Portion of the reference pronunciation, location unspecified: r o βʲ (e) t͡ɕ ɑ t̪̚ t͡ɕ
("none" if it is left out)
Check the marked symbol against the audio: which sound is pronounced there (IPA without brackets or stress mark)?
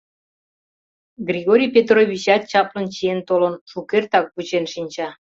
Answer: i